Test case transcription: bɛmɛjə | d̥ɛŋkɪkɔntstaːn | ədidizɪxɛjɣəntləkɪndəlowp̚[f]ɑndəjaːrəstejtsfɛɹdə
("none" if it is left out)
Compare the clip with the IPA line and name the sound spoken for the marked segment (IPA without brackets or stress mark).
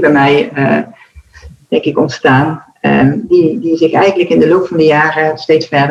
f